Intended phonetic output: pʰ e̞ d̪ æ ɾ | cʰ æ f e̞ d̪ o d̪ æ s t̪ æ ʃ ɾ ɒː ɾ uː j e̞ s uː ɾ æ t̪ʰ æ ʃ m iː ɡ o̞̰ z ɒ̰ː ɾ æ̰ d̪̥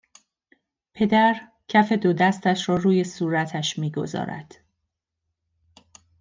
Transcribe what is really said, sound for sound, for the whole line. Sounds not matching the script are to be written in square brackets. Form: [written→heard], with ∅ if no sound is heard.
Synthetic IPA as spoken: pʰ e̞ d̪ æ ɾ | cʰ æ f e̞ d̪ o d̪ æ s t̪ æ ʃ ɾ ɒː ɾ uː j e̞ s uː ɾ æ t̪ʰ æ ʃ m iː ɡ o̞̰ z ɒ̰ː ɾ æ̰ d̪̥